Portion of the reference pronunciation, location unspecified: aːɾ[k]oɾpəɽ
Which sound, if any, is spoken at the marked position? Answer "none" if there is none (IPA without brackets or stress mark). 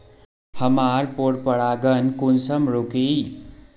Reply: p